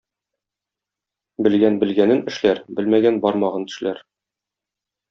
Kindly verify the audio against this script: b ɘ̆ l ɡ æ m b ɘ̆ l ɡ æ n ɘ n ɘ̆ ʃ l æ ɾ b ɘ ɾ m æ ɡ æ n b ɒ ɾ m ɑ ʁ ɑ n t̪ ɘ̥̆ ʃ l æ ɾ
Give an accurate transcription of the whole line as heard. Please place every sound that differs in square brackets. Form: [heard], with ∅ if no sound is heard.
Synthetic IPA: b ɘ̆ l ɡ æ [n] b ɘ̆ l ɡ æ n ɘ n ɘ̆ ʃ l æ ɾ b ɘ [l] m æ ɡ æ n b ɒ ɾ m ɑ ʁ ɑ n t̪ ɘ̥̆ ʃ l æ ɾ